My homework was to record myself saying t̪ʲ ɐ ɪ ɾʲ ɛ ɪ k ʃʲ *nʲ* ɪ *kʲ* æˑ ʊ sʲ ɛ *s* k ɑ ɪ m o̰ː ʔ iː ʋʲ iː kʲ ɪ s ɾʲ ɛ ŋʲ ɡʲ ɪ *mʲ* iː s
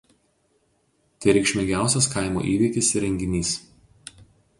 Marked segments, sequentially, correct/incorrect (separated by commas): incorrect, incorrect, correct, incorrect